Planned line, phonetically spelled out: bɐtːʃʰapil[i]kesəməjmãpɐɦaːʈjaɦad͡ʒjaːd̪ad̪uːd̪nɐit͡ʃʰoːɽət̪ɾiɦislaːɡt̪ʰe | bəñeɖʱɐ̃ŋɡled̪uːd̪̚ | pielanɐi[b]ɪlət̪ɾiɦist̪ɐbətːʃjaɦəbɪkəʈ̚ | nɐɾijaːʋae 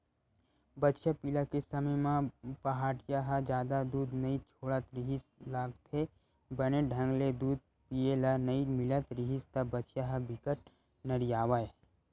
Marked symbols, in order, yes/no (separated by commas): no, no